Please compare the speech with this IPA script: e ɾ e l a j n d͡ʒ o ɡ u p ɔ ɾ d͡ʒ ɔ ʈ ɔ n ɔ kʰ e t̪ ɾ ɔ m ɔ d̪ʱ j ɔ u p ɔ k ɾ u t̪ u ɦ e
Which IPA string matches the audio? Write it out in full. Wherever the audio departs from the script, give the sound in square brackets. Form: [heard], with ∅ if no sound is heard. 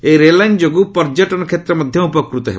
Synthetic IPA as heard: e ɾ e l a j n d͡ʒ o ɡ u p ɔ ɾ d͡ʒ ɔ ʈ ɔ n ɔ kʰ e t̪ ɾ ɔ m ɔ d̪ʱ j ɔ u p ɔ k ɾ u t̪ [ɔ] ɦ e